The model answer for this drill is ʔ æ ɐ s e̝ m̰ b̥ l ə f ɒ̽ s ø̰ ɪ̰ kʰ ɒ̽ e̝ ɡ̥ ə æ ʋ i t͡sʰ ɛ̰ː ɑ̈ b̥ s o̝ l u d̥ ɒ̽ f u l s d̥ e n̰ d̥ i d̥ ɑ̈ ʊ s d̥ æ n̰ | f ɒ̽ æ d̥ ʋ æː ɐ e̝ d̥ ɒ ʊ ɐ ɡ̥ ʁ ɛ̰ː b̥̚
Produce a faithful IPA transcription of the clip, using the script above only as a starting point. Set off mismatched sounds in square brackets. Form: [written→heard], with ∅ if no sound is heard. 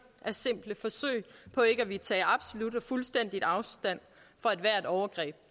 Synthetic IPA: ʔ æ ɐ s e̝ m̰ b̥ l ə f ɒ̽ s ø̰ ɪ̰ [kʰ→pʰ] ɒ̽ e̝ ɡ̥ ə æ ʋ i t͡sʰ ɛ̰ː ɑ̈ b̥ s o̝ l u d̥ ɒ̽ f u l s d̥ e n̰ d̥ i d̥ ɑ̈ ʊ s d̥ æ n̰ | f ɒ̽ æ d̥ ʋ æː ɐ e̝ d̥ ɒ ʊ ɐ ɡ̥ ʁ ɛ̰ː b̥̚